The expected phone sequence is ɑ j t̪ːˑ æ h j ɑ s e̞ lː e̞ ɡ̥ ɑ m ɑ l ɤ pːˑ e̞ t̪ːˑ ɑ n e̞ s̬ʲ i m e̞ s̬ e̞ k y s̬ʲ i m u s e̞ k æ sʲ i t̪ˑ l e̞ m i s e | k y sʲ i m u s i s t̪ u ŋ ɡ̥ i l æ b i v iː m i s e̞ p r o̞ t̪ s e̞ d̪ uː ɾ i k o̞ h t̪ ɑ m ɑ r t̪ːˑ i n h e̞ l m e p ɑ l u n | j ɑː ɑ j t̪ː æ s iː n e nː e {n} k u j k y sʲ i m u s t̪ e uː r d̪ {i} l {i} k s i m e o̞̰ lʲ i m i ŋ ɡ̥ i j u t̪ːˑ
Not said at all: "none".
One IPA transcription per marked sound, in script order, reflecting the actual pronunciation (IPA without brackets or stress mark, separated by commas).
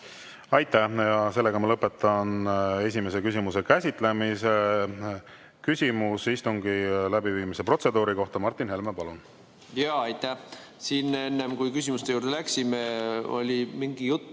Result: m, e, æ